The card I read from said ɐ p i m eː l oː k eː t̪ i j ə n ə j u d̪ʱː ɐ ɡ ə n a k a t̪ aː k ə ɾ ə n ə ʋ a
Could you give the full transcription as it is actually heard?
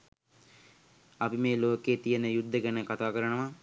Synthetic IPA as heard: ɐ p i m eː l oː k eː t̪ i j ə n ə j u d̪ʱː ə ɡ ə n ə k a t̪ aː k ə ɾ ə n ə ʋ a